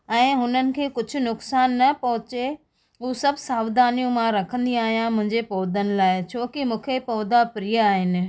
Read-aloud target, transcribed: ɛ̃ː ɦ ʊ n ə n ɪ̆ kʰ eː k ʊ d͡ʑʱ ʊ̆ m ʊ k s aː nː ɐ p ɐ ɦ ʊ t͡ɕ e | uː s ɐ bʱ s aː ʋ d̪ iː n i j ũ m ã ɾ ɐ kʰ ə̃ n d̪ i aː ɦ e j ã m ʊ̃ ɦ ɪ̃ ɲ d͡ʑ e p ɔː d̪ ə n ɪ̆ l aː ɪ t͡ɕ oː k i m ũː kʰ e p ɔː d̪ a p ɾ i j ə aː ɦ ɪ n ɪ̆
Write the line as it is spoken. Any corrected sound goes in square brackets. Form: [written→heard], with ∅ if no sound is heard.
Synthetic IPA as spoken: ɛ̃ː ɦ ʊ n ə n ɪ̆ kʰ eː k ʊ d͡ʑʱ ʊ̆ [m→n] ʊ k s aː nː ɐ p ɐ ɦ ʊ t͡ɕ e | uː s ɐ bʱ s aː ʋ d̪ [iː→aː] n i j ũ m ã ɾ ɐ kʰ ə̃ n d̪ i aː ɦ [e→i] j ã m ʊ̃ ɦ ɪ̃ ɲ d͡ʑ e p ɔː d̪ ə n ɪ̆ l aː ɪ [t͡ɕ→t͡ɕʰ] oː k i m ũː kʰ e p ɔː d̪ a p ɾ i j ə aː ɦ ɪ n ɪ̆